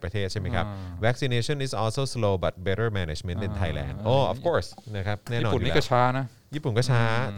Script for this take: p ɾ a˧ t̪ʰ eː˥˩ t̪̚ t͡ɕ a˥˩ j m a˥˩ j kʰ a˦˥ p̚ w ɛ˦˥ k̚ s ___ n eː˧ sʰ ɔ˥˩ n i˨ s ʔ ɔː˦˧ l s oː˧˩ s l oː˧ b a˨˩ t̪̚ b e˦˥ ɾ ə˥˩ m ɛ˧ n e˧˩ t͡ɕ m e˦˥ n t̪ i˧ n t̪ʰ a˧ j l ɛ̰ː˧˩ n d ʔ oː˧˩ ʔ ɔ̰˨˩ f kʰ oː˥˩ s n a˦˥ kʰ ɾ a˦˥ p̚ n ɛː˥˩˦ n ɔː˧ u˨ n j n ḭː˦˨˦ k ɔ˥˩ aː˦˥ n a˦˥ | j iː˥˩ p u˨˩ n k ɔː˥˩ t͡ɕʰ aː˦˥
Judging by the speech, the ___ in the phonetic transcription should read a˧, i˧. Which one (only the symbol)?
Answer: i˧